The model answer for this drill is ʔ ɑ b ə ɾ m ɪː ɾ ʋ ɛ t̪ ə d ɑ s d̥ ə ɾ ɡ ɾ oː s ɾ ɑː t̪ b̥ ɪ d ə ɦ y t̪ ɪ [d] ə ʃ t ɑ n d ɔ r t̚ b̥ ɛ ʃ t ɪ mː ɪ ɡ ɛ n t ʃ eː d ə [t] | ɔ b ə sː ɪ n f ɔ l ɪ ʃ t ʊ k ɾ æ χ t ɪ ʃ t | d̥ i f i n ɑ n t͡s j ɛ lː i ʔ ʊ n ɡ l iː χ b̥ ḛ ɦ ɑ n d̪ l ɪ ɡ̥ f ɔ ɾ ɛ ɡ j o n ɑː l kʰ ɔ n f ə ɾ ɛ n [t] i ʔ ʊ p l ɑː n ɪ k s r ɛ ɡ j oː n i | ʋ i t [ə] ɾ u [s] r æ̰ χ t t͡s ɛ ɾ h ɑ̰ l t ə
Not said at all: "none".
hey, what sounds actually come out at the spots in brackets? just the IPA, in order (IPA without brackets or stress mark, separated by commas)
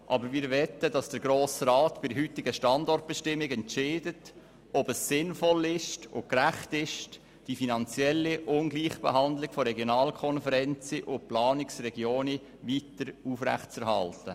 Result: ɡ, t, t͡s, ə, f